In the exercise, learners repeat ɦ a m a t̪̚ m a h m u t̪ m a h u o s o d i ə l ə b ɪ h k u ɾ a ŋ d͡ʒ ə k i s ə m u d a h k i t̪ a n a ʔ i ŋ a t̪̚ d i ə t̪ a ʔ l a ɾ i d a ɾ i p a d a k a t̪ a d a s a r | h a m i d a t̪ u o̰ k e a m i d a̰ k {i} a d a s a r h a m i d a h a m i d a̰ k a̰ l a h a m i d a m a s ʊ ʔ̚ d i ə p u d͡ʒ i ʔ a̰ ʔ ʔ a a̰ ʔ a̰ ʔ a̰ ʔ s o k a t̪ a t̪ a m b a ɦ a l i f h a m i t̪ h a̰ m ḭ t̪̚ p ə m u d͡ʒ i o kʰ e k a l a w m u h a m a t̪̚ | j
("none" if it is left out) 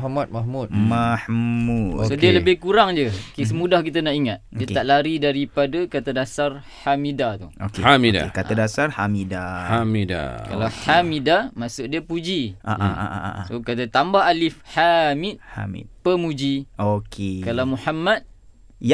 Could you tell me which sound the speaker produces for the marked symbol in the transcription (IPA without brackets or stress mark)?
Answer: a